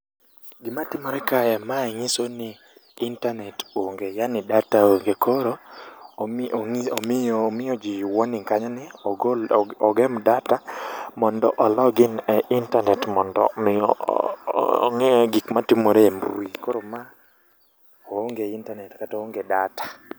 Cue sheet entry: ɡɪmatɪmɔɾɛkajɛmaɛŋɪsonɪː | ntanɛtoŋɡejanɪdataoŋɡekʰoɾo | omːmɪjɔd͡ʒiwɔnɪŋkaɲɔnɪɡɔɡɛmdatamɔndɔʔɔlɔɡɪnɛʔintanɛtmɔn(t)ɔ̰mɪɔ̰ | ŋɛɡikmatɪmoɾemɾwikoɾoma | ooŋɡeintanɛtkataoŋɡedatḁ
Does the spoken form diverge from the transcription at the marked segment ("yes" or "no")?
yes